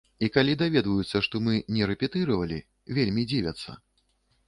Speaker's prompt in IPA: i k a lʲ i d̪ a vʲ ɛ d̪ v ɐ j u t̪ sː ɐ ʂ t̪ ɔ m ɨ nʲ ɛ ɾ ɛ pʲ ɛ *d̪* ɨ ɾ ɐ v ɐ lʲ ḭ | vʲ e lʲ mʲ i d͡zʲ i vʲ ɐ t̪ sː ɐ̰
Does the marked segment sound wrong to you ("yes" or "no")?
yes